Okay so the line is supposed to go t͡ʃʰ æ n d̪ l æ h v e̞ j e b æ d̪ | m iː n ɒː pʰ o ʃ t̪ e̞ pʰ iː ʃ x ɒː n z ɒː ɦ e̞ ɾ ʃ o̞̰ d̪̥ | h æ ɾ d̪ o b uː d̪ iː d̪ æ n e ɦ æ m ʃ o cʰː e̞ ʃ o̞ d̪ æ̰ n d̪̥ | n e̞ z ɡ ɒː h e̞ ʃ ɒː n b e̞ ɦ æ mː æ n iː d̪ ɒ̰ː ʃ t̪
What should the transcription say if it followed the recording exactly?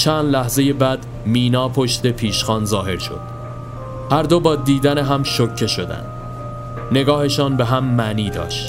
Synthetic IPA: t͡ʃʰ æ n d̪ l æ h z e̞ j e b æ d̪ | m iː n ɒː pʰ o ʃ t̪ e̞ pʰ iː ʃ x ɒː n z ɒː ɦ e̞ ɾ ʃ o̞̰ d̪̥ | h æ ɾ d̪ o b ɒː d̪ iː d̪ æ n e ɦ æ m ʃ o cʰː e̞ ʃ o̞ d̪ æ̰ n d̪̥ | n e̞ ɡ ɒː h e̞ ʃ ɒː n b e̞ ɦ æ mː æ n iː d̪ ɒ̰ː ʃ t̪